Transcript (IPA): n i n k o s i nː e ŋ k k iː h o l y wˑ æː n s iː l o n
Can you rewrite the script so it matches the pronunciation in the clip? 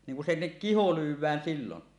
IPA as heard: n i ŋ k u s i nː e k k i h o l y wˑ æː n s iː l o n